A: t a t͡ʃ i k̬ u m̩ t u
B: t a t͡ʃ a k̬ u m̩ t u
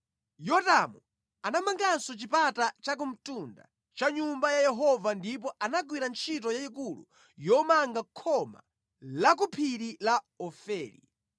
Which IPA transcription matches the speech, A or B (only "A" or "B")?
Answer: B